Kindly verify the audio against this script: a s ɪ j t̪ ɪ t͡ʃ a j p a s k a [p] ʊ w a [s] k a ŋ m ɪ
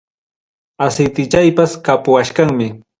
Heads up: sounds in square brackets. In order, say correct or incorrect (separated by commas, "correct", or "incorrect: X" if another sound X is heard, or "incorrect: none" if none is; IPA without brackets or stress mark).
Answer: correct, incorrect: ʃ